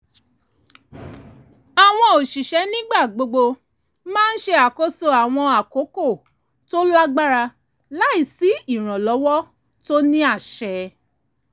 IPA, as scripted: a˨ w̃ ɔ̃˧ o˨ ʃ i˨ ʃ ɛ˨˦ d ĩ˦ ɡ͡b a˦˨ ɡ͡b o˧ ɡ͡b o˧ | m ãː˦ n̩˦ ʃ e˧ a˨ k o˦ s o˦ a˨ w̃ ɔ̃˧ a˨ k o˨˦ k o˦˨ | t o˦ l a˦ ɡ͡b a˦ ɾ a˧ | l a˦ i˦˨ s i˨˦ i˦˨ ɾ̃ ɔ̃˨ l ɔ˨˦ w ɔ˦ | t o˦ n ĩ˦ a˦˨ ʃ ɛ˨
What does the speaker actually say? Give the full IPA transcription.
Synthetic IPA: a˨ w̃ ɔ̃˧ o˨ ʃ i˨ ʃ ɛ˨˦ n ĩ˦ ɡ͡b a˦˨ ɡ͡b o˧ ɡ͡b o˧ | m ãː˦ n̩˦ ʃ e˧ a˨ k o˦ s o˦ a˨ w̃ ɔ̃˧ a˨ k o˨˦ k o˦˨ | t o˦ l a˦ ɡ͡b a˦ ɾ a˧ | l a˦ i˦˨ s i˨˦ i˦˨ ɾ̃ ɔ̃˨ l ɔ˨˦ w ɔ˦ | t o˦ n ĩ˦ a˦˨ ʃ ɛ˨